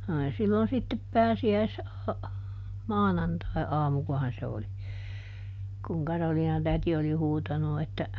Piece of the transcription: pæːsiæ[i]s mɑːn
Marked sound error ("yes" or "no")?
no